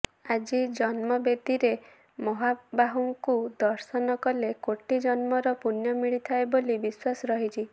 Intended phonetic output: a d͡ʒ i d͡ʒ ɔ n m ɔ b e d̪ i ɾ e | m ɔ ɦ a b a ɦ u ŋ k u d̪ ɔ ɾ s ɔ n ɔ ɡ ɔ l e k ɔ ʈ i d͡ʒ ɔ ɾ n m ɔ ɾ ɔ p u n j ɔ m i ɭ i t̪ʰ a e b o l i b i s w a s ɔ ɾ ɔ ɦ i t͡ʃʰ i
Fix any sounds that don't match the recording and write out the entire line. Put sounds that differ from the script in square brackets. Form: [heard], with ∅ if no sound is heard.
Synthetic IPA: a d͡ʒ i d͡ʒ ɔ n m ɔ b e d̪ i ɾ e | m ɔ ɦ a b a ɦ u ŋ k u d̪ ɔ ɾ s ɔ n ɔ [k] ɔ l e k [o] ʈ i d͡ʒ ɔ [∅] n m ɔ ɾ ɔ p u n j ɔ m i ɭ i t̪ʰ a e b o l i b i s w a s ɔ ɾ ɔ ɦ i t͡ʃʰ i